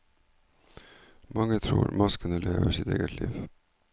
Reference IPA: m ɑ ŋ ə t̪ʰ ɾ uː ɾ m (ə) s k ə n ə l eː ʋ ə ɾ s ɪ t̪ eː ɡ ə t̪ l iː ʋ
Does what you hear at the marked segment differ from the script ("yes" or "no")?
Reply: yes